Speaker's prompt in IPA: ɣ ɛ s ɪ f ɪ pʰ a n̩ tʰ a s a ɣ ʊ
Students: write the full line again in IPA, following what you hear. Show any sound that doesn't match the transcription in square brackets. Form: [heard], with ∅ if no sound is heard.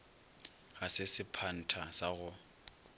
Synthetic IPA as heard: ɣ [a] s ɪ [s] ɪ pʰ a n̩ tʰ a s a ɣ ʊ